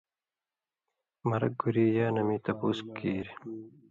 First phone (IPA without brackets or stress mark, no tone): m